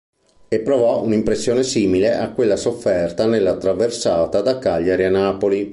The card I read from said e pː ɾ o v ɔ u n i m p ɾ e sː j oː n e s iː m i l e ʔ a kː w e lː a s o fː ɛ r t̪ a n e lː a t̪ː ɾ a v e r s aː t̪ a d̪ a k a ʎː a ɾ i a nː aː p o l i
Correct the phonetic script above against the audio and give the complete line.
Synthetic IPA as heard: e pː ɾ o v ɔ u n i m p ɾ e sː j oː n e s iː m i l e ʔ a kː w e lː a s o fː ɛ r t̪ a n e lː a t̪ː ɾ a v e r s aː t̪ a d̪ a k a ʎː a ɾ i a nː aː p o l i